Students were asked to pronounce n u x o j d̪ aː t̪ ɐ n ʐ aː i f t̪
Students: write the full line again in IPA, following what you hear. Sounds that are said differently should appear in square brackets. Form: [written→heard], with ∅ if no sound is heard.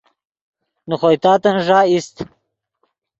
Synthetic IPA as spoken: n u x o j [d̪→t̪] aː t̪ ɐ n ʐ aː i [f→s] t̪